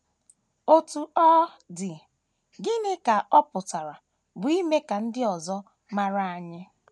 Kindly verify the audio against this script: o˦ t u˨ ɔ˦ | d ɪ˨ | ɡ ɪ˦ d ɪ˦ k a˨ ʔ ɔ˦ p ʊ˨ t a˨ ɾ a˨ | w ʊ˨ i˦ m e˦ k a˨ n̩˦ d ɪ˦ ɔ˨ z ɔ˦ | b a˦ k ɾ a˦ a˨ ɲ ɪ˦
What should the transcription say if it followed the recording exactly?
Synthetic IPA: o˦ t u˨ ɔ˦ | d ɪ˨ | ɡ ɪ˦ n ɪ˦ k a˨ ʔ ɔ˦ p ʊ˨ t a˨ ɾ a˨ | b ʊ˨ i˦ m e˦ k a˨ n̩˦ d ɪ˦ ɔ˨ z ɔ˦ | m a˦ ɾ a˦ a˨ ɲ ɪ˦